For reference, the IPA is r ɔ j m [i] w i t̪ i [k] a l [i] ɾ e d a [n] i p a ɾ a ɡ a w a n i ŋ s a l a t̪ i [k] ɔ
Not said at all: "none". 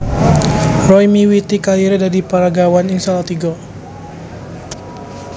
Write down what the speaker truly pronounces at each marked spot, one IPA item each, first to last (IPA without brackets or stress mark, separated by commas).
i, k, i, d, ɡ